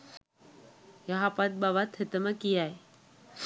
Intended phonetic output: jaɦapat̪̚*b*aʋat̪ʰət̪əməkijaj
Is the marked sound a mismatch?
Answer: no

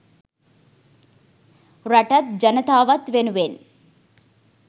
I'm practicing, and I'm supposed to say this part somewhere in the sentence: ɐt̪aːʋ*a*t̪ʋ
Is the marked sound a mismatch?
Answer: yes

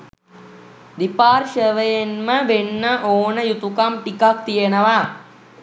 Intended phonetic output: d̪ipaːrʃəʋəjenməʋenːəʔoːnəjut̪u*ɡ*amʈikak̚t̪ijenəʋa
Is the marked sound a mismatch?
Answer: yes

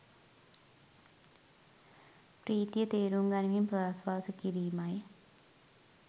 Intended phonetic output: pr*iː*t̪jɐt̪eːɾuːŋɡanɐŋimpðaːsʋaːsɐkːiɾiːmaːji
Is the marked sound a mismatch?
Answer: no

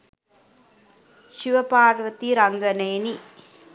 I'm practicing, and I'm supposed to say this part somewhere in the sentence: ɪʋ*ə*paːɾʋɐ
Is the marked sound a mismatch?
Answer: yes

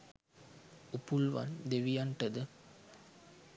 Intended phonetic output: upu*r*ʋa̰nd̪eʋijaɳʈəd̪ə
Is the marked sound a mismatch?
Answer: yes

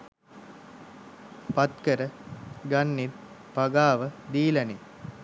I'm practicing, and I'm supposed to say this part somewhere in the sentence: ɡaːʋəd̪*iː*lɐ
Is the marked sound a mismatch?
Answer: no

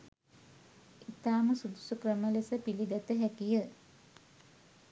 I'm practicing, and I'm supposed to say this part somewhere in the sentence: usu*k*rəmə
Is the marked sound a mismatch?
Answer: no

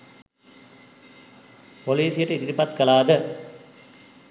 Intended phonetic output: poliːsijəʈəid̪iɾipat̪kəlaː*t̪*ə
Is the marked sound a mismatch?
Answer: yes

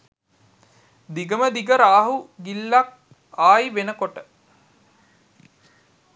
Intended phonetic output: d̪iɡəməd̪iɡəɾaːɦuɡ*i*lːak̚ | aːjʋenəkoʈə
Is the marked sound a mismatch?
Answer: no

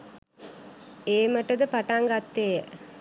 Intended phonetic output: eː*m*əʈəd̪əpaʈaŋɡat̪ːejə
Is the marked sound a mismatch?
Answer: no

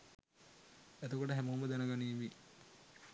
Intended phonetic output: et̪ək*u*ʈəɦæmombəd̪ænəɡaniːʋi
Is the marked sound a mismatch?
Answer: yes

